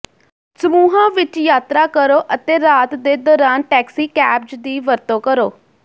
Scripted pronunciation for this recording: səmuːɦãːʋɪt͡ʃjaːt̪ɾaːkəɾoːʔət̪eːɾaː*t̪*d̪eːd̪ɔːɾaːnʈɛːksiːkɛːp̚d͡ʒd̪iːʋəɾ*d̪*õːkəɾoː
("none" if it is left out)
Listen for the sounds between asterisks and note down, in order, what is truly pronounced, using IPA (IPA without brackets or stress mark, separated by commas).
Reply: t̪, t̪